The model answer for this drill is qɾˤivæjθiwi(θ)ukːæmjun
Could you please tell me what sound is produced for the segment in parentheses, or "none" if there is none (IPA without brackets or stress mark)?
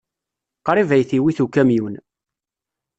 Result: θ